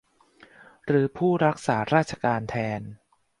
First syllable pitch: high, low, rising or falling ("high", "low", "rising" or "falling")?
rising